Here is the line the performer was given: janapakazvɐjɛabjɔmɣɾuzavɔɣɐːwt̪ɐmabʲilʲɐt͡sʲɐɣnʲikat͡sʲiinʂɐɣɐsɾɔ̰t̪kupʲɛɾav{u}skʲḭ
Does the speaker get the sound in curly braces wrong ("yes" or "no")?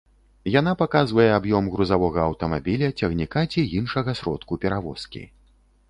yes